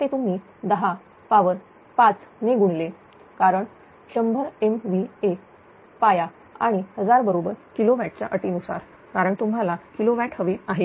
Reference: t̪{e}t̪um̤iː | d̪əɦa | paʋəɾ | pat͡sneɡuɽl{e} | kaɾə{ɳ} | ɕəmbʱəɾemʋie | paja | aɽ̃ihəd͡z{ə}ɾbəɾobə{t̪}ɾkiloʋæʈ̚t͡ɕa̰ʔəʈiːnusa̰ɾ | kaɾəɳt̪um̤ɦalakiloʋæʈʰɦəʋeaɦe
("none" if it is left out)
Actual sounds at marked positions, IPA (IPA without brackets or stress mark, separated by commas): e, e, ɳ, a, none